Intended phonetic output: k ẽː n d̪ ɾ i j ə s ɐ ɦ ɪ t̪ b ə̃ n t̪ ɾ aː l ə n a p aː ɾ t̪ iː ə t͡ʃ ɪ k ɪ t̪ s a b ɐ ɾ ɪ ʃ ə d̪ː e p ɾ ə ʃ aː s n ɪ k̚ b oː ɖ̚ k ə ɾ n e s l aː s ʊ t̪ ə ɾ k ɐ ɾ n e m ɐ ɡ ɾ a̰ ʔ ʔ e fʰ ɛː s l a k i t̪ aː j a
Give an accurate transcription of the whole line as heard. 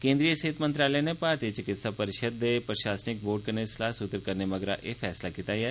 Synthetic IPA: k ẽː n d̪ ɾ i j ə s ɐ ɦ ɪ t̪ m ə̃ n t̪ ɾ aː l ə n e p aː ɾ t̪ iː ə t͡ʃ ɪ k ɪ t̪ s a p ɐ ɾ ɪ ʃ ə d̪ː e p ɾ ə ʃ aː s n ɪ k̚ b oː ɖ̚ k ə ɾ n e s l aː s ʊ t̪ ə ɾ k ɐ ɾ n e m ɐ ɡ ɾ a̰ ʔ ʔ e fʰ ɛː s l a k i t̪ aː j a